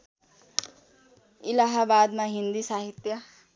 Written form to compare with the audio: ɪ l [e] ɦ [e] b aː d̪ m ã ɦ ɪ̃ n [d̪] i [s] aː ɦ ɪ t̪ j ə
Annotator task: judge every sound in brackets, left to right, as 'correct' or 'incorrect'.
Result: incorrect: a, incorrect: a, correct, correct

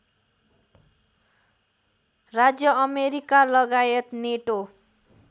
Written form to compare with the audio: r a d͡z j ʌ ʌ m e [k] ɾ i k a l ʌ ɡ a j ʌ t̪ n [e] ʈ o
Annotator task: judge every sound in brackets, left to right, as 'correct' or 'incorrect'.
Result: incorrect: none, correct

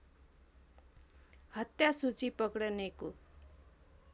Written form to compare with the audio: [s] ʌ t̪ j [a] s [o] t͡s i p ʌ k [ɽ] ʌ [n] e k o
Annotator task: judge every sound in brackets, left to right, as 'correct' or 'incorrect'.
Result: incorrect: h, correct, incorrect: u, correct, correct

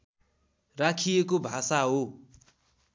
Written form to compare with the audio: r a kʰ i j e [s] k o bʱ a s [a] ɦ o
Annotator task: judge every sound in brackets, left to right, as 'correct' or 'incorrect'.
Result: incorrect: none, correct

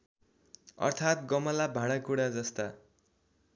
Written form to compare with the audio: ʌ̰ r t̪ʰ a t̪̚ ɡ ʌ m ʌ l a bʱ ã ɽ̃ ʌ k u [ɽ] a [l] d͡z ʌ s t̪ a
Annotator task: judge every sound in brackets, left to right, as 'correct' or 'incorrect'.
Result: correct, incorrect: none

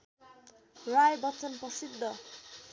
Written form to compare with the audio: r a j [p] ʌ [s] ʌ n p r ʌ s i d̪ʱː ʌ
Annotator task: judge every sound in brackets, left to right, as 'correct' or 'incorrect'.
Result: incorrect: b, incorrect: t͡s

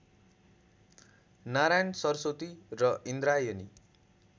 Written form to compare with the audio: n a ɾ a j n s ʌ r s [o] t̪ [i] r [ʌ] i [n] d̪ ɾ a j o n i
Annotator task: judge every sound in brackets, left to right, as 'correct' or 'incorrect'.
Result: correct, correct, correct, correct

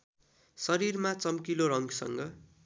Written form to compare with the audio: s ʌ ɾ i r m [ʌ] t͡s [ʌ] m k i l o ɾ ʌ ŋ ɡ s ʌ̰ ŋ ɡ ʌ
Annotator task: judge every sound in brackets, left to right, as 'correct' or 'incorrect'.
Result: incorrect: a, correct

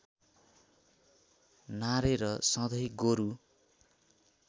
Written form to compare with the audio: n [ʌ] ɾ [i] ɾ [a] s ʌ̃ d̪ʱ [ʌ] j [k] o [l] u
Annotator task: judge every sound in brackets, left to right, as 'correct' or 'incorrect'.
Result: incorrect: a, incorrect: e, incorrect: ʌ, correct, incorrect: ɡ, incorrect: ɾ

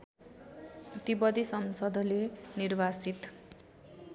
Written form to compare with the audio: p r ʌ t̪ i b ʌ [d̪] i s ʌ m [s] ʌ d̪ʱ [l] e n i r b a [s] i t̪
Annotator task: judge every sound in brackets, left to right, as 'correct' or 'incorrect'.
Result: correct, correct, correct, correct

